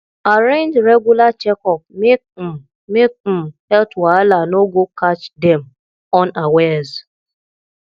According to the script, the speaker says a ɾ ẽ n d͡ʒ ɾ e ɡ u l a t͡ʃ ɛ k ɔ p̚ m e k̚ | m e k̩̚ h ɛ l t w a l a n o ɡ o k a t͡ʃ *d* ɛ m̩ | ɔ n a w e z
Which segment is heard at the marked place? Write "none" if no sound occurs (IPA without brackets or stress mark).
d